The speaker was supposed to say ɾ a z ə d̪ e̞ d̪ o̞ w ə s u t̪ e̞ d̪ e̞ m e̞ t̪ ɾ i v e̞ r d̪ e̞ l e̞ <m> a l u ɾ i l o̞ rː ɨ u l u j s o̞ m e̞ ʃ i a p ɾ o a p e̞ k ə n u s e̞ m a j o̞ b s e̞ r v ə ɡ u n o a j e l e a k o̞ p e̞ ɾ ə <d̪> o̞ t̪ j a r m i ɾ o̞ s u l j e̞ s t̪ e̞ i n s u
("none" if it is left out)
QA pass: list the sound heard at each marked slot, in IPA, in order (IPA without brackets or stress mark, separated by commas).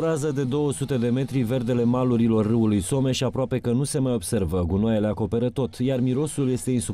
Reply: m, t̪